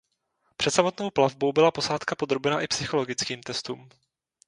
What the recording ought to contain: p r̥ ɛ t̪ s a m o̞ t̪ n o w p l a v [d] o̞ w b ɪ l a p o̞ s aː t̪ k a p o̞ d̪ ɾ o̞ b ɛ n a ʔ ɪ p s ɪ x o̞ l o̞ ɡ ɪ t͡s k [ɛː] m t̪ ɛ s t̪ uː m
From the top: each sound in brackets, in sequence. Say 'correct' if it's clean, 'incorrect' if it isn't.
incorrect, incorrect

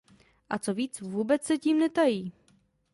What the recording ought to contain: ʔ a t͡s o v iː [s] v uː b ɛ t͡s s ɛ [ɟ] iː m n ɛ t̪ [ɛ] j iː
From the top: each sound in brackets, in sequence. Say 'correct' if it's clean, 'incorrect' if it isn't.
incorrect, incorrect, incorrect

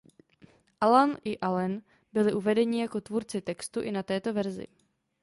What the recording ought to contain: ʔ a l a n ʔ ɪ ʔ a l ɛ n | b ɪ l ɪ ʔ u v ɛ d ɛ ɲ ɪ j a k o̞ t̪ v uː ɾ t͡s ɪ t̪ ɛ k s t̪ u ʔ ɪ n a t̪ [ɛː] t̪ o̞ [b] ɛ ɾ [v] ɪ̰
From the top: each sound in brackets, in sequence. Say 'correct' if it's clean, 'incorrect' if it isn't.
correct, incorrect, incorrect

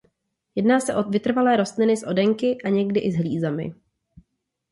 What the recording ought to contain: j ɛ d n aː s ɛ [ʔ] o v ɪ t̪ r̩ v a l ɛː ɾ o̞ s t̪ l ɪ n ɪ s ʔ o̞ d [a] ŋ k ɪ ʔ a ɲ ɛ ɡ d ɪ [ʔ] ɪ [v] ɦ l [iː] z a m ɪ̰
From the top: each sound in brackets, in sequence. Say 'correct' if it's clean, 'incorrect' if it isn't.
correct, incorrect, correct, incorrect, correct

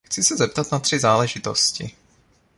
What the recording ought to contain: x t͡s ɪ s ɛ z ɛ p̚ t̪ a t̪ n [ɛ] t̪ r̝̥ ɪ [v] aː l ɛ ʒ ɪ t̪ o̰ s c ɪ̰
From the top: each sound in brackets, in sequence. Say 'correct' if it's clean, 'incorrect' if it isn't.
incorrect, incorrect

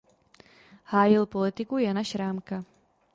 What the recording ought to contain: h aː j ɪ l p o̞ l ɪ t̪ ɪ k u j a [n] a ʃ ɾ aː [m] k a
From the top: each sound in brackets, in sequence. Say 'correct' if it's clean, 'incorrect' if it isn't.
correct, correct

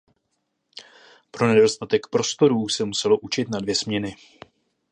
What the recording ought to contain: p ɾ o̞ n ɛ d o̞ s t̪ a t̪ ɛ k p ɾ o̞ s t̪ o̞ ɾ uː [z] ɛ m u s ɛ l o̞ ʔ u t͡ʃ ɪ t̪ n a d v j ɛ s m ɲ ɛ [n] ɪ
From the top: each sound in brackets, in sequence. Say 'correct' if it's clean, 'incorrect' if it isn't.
incorrect, correct

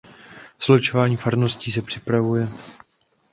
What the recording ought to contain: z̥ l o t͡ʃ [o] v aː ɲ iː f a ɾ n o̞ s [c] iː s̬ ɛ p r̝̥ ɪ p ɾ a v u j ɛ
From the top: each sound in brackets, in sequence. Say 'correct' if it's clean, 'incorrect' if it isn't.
correct, correct

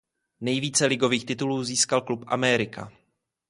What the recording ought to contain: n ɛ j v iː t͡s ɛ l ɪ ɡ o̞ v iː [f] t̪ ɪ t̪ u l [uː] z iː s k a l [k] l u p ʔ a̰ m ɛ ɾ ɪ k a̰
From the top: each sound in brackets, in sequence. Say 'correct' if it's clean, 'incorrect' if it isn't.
incorrect, correct, correct

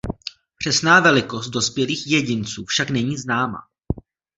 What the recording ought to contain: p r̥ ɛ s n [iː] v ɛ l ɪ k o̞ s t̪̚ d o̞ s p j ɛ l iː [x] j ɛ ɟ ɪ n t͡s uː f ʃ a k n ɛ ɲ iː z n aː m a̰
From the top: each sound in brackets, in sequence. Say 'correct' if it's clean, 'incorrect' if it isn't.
incorrect, correct

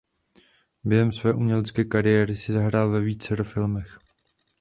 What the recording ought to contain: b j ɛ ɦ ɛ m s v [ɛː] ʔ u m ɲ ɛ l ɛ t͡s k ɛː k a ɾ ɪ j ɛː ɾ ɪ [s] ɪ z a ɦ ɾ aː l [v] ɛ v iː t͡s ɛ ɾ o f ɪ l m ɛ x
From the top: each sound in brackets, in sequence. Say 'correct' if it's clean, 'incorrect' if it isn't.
correct, correct, correct

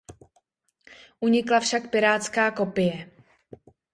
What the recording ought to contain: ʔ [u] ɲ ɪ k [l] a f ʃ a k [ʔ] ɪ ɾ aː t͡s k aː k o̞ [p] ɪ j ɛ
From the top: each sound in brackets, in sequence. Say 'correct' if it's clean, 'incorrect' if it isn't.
correct, correct, incorrect, correct

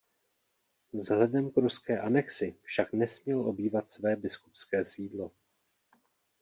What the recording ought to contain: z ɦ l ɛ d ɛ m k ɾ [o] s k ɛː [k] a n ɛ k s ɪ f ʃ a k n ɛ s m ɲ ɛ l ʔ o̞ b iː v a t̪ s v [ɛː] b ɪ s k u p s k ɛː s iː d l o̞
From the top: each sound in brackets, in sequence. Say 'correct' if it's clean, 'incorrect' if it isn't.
incorrect, incorrect, correct

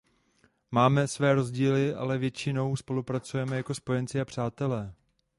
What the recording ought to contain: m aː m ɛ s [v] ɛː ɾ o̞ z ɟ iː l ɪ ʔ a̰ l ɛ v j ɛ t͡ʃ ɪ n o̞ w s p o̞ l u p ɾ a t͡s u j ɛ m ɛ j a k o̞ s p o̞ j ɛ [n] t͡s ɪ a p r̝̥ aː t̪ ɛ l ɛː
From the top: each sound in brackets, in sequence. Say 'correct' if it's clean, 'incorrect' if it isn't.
correct, correct

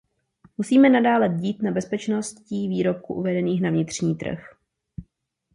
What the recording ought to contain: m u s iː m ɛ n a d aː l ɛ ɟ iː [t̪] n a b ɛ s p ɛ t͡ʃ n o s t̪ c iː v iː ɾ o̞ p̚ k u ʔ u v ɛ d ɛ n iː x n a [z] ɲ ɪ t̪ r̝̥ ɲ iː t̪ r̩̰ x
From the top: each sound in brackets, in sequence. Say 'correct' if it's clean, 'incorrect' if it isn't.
correct, incorrect

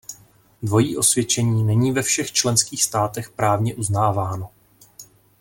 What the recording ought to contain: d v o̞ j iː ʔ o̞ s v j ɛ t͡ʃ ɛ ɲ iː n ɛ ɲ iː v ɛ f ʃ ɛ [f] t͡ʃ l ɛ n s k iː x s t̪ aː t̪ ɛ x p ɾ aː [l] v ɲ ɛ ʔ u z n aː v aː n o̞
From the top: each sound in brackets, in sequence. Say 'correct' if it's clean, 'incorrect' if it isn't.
incorrect, incorrect

